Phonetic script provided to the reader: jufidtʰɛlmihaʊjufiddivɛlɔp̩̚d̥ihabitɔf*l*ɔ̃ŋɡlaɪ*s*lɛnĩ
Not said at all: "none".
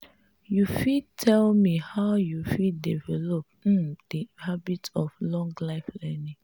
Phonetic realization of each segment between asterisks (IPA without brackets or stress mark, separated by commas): l, f